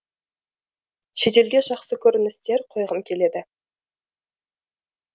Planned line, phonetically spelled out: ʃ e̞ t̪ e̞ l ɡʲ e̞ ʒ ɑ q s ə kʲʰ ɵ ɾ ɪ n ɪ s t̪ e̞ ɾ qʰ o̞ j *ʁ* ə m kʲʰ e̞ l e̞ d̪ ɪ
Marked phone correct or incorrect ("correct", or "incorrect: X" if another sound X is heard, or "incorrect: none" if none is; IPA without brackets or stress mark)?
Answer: correct